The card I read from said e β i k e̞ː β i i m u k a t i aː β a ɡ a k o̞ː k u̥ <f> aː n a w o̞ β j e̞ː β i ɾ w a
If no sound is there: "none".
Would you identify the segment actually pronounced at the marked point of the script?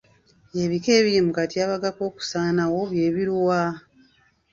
s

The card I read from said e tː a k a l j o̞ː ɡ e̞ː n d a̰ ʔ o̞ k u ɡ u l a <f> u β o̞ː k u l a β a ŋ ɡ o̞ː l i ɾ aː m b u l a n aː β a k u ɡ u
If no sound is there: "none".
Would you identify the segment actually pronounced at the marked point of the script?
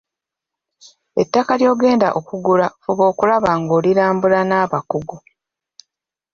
f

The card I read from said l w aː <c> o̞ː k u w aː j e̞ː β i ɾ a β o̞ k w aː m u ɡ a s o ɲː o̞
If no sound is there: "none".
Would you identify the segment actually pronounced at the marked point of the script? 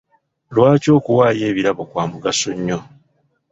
c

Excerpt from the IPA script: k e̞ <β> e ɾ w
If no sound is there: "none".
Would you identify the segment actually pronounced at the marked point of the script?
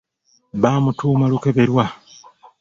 β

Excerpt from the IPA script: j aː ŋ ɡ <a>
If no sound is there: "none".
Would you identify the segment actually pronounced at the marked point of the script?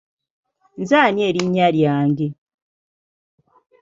e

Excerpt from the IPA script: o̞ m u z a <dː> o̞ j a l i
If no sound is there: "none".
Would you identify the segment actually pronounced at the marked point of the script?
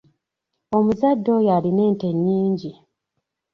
dː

